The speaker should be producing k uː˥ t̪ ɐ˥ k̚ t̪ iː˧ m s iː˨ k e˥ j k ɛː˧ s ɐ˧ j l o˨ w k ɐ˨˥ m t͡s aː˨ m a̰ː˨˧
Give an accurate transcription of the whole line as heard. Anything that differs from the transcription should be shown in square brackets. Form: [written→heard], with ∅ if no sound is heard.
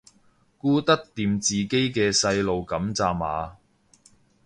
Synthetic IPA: k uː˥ t̪ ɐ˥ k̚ t̪ iː˧ m [s→t͡s] iː˨ k e˥ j k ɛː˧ s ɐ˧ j l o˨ w k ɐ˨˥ m t͡s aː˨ m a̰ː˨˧